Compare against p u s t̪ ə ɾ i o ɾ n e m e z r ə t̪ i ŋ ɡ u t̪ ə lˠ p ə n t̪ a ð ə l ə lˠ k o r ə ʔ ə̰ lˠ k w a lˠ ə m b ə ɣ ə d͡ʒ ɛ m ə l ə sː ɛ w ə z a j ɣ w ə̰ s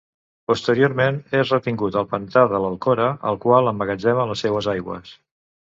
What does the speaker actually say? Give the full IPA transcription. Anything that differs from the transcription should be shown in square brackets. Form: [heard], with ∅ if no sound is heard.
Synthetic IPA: p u s t̪ ə ɾ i o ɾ [m] e [n] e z r ə t̪ i ŋ ɡ u t̪ ə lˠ p ə n t̪ a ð ə l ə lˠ k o [ɾ] ə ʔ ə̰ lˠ k w a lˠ ə m b ə ɣ ə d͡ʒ ɛ m ə l ə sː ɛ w ə z a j ɣ w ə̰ s